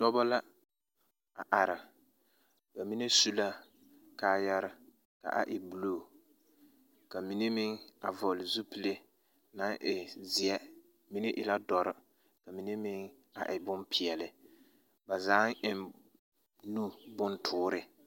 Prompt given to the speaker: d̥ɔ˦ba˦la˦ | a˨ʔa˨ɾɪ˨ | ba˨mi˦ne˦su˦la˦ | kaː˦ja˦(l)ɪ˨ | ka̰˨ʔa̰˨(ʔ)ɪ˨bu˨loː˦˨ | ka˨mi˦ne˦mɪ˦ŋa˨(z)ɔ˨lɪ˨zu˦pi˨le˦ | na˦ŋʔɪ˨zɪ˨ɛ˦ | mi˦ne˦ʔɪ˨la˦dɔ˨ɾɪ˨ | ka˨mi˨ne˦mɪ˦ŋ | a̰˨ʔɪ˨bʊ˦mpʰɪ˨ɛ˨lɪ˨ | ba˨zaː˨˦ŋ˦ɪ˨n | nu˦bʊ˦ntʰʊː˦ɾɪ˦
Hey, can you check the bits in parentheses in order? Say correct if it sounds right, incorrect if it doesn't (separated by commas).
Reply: incorrect, correct, incorrect